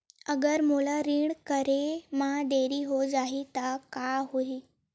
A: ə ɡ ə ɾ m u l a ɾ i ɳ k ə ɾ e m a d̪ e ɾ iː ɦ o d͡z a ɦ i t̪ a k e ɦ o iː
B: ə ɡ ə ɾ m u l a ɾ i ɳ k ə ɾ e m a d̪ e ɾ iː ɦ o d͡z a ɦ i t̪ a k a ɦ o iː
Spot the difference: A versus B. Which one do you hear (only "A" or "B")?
B